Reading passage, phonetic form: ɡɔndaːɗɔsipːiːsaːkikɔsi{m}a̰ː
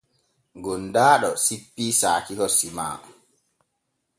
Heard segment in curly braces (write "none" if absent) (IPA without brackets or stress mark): m